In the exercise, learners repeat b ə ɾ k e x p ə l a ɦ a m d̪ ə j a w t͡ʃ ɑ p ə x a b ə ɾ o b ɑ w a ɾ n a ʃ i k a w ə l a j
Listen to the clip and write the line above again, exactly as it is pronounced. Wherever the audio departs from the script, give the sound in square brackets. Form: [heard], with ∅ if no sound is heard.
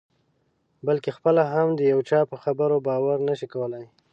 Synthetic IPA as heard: b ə [l] k e x p ə l a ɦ a m d̪ ə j a w t͡ʃ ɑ p ə x a b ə ɾ o b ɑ w a ɾ n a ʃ i k a w ə l a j